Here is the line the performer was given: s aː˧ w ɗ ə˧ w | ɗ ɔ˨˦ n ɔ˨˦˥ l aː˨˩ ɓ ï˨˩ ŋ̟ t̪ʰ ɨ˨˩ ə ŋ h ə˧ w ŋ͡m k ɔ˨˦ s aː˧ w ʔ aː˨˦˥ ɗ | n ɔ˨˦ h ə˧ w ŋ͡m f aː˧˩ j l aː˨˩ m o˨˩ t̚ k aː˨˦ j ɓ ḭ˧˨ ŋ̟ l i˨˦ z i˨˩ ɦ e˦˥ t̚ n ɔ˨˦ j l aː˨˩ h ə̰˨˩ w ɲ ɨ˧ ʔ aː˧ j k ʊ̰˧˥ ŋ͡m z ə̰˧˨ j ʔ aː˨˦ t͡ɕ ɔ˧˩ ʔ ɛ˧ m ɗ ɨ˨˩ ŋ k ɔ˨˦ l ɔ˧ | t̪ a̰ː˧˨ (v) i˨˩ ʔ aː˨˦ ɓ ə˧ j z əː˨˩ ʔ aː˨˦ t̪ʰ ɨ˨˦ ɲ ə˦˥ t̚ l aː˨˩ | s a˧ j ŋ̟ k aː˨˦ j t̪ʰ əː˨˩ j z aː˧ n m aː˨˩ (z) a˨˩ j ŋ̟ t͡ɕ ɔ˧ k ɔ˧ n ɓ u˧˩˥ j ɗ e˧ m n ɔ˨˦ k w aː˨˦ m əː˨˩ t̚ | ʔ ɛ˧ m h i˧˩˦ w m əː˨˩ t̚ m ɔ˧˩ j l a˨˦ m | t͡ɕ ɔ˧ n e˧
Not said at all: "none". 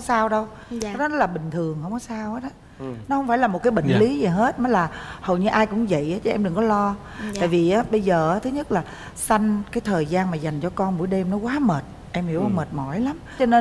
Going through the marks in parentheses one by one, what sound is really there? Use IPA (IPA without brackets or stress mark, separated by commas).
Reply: v, z